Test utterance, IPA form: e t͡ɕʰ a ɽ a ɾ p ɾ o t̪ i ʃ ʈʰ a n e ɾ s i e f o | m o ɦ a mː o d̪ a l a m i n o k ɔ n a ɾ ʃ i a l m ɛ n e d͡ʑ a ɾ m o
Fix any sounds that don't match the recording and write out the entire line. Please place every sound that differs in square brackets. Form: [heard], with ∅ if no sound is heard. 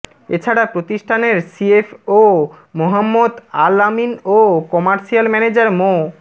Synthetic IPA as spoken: e t͡ɕʰ a ɽ a [∅] p ɾ o t̪ i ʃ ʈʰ a n e ɾ s i e f o | m o ɦ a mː o d̪ a l a m i n o k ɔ [m] a ɾ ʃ i a l m ɛ n e d͡ʑ a ɾ m o

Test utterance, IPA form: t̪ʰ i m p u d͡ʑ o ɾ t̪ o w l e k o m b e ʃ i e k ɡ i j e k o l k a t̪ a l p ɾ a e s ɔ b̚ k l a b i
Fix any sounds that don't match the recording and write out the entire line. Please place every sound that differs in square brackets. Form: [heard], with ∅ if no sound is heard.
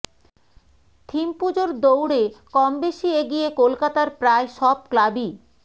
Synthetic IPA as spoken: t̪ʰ i m p u d͡ʑ o ɾ [d̪] o w [ɽ] e k [ɔ] m b e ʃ i e [∅] ɡ i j e k o l k a t̪ a [ɾ] p ɾ a e [ʃ] ɔ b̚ k l a b i

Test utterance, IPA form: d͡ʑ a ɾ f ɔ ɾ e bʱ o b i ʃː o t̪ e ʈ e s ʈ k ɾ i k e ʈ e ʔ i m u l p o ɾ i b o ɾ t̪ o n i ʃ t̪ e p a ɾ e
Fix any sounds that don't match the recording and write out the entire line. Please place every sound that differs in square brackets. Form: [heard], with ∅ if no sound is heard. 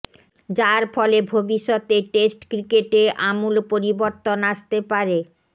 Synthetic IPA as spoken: d͡ʑ a ɾ f ɔ [l] e bʱ o b i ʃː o t̪ e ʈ e s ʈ k ɾ i k e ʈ e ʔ [a] m u l p o ɾ i b o ɾ t̪ o n [a] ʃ t̪ e p a ɾ e

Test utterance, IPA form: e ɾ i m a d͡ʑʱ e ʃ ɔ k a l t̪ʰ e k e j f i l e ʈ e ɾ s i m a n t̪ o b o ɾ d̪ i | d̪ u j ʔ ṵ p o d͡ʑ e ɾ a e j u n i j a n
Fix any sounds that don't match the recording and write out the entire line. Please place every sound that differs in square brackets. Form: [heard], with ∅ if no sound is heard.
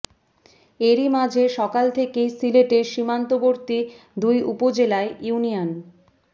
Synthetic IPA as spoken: e ɾ i m a d͡ʑʱ e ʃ ɔ k a l t̪ʰ e k e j [s] i l e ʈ e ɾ [ʃ] i m a n t̪ o b o ɾ [t̪] i | d̪ u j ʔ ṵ p o d͡ʑ e [l] a e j u n i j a n

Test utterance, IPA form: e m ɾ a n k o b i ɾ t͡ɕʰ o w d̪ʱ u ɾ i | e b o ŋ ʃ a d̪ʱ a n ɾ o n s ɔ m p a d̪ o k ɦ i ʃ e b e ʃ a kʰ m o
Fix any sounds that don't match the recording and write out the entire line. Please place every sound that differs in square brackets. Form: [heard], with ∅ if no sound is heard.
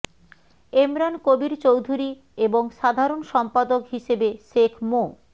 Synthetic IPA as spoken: e m ɾ a n k o b i ɾ [t͡ɕ] o w d̪ʱ u ɾ i | e b o ŋ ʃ a d̪ʱ a [∅] ɾ o n [ʃ] ɔ m p a d̪ o k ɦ i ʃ e b e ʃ [e] kʰ m o

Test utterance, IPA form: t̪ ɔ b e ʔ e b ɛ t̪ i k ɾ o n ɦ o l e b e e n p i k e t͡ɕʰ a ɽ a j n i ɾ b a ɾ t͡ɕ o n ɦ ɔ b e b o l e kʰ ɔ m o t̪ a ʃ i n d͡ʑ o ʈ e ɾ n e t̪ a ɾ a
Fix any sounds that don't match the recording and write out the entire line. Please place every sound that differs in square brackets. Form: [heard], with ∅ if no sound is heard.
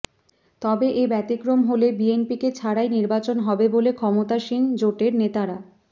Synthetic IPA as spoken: t̪ ɔ b e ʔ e b ɛ t̪ i k ɾ o [m] ɦ o l e b [i] e n p i k e t͡ɕʰ a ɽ a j n i ɾ b a [∅] t͡ɕ o n ɦ ɔ b e b o l e kʰ ɔ m o t̪ a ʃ i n d͡ʑ o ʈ e ɾ n e t̪ a ɾ a

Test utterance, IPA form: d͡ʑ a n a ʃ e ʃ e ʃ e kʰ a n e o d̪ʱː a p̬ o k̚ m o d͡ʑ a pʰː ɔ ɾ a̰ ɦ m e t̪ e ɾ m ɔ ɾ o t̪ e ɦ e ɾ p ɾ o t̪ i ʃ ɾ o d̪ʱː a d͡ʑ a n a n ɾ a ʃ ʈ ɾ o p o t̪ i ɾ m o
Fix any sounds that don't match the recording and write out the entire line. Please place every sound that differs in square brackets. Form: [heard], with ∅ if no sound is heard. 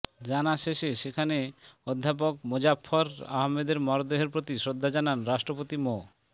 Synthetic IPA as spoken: d͡ʑ a n a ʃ e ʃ e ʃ e kʰ a n e o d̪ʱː a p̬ o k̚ m o d͡ʑ a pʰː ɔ ɾ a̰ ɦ m e [d̪] e ɾ m ɔ ɾ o [d̪] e ɦ e ɾ p ɾ o t̪ i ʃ ɾ o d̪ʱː a d͡ʑ a n a n ɾ a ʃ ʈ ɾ o p o t̪ i [∅] m o

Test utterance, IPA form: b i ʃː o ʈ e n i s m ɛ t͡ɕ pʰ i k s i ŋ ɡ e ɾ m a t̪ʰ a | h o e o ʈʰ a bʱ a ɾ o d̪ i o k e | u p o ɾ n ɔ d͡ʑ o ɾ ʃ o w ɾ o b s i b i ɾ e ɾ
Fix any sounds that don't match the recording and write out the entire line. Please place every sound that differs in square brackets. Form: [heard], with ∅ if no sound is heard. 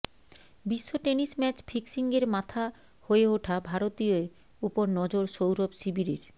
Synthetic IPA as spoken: b i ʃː o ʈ e n i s m ɛ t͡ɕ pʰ i k s i ŋ ɡ e ɾ m a t̪ʰ a | h o e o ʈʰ a bʱ a ɾ o [t̪] i o [∅] e | u p o ɾ n ɔ d͡ʑ o ɾ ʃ o w ɾ o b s i b i ɾ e ɾ

